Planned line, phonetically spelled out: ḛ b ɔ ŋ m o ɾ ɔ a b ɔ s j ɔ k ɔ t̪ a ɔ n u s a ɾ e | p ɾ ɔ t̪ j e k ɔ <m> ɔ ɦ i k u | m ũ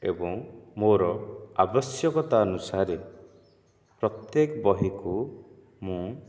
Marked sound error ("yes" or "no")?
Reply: yes